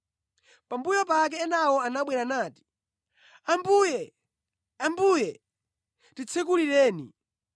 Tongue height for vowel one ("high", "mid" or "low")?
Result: low